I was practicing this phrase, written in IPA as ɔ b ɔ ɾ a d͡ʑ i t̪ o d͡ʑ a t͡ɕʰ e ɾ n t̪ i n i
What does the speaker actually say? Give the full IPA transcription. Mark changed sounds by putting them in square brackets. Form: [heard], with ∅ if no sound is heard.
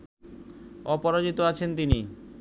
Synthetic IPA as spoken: ɔ [p] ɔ ɾ a d͡ʑ i t̪ o [∅] a t͡ɕʰ e [∅] n t̪ i n i

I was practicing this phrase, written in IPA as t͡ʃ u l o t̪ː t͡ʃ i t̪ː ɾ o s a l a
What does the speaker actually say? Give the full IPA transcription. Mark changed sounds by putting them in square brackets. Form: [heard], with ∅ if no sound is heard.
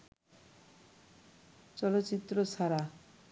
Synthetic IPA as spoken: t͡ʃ [ɔ] l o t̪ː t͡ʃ i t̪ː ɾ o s a [ɾ] a

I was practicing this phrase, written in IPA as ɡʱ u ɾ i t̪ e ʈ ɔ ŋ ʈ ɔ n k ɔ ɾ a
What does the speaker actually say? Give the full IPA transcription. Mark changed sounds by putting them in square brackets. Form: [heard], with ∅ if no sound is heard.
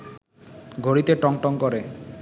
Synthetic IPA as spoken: ɡʱ [o] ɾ i t̪ e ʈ ɔ ŋ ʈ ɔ [ŋ] k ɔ ɾ [e]

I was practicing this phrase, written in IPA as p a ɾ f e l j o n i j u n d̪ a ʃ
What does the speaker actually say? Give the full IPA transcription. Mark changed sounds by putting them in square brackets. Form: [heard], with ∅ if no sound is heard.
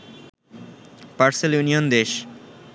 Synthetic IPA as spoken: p a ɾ [s] e l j [u] n i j [o] n d̪ [e] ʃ

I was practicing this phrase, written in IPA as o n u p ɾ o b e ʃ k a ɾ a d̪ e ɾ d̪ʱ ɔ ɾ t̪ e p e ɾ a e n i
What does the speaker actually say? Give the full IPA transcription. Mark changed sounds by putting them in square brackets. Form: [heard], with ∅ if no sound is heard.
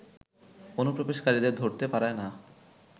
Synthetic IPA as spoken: o n u p ɾ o b e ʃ k a ɾ [i] d̪ e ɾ d̪ʱ [o] ɾ t̪ e p [a] ɾ a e n [a]

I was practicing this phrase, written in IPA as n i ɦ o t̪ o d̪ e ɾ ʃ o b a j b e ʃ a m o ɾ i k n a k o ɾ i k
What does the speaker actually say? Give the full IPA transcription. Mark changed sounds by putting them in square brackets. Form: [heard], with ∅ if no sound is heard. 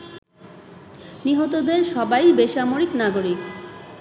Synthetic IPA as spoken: n i ɦ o t̪ o d̪ e ɾ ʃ [ɔ] b a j b e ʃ a m o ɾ i k n a [ɡ] o ɾ i k

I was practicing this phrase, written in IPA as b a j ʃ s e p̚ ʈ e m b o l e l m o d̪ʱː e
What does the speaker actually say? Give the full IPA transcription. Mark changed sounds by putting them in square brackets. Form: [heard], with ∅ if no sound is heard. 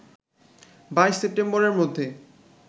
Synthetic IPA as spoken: b a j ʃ s e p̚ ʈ e m b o [ɾ] e [ɾ] m o d̪ʱː e

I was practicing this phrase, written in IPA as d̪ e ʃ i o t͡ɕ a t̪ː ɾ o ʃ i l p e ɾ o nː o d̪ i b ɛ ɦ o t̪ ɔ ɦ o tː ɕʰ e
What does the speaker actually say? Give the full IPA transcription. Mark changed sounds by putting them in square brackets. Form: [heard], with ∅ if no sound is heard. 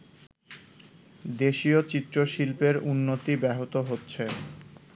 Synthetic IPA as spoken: d̪ e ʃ i o t͡ɕ [i] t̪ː ɾ o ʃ i l p e ɾ [u] nː o [t̪] i b ɛ ɦ o t̪ [o] ɦ o tː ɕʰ e

